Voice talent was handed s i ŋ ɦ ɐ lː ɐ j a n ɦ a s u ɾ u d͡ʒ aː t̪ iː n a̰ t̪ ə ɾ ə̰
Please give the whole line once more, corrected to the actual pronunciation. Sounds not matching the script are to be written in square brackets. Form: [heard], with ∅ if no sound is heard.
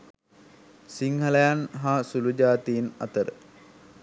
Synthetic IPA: s i ŋ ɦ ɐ [l] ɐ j a n ɦ a s u [l] u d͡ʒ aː t̪ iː n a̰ t̪ ə ɾ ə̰